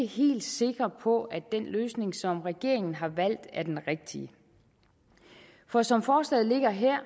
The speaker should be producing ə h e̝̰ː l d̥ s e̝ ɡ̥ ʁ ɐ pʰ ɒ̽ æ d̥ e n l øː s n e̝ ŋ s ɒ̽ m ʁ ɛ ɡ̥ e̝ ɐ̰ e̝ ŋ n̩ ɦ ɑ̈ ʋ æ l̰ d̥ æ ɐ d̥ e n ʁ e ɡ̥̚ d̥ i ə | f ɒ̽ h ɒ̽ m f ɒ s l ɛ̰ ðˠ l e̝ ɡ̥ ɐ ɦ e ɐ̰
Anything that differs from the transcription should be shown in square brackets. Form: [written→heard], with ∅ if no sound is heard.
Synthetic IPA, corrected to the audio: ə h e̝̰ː l d̥ s e̝ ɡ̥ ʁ ɐ pʰ ɒ̽ æ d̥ e n l øː s n e̝ ŋ s ɒ̽ m ʁ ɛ ɡ̥ e̝ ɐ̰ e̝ ŋ n̩ ɦ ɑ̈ ʋ æ l̰ d̥ æ ɐ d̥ e n ʁ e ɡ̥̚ d̥ i ə | f ɒ̽ [h→s] ɒ̽ m f [ɒ→ɒː] s l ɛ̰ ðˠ l e̝ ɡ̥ ɐ ɦ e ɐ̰